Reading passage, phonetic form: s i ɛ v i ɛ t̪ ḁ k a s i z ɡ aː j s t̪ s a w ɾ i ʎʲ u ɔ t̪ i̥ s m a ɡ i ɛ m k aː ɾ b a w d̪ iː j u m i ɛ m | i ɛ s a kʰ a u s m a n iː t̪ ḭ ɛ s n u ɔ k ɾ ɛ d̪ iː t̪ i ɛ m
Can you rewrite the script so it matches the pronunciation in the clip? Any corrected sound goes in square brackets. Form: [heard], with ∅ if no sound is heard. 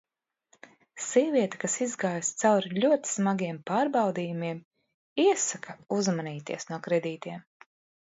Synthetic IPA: s i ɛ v i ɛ t̪ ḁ k a s i z ɡ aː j s t̪ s a w ɾ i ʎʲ u ɔ t̪ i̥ s m a ɡ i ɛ m [p] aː ɾ b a w d̪ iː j u m i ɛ m | i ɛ s a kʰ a u [z] m a n iː t̪ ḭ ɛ s n u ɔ k ɾ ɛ d̪ iː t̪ i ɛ m